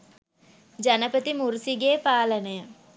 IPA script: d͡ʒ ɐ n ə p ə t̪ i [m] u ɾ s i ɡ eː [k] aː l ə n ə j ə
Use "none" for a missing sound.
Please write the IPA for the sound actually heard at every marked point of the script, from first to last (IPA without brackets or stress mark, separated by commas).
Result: m, p